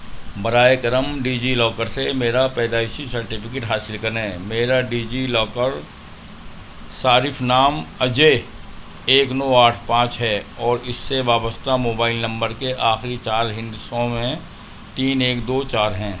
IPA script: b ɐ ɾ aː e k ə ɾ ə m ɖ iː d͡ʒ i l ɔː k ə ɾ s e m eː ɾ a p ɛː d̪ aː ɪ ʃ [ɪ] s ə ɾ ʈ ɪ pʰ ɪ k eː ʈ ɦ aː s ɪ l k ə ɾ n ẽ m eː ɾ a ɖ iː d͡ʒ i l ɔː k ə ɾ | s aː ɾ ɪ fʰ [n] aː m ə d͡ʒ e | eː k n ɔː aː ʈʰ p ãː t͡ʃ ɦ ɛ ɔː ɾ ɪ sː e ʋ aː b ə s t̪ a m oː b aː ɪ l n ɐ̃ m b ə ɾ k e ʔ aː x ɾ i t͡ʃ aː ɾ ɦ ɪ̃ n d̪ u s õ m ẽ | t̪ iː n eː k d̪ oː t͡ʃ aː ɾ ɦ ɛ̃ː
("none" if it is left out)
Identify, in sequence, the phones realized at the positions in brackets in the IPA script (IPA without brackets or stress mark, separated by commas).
i, n